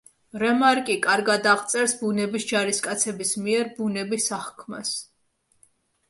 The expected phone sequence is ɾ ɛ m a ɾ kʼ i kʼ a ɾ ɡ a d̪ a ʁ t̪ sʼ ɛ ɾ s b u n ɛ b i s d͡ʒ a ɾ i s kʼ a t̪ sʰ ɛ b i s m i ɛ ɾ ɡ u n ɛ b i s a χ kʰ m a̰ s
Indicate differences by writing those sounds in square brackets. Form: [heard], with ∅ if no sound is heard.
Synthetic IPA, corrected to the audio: ɾ ɛ m a ɾ kʼ i kʼ a ɾ ɡ a d̪ a ʁ t̪ sʼ ɛ ɾ s b u n ɛ b i s d͡ʒ a ɾ i s kʼ a t̪ sʰ ɛ b i s m i ɛ ɾ [b] u n ɛ b i s a χ kʰ m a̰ s